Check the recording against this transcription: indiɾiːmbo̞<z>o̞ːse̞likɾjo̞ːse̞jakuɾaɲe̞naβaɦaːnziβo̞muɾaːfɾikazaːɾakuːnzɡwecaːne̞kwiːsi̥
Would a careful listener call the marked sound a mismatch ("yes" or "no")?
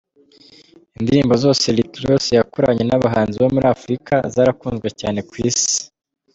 no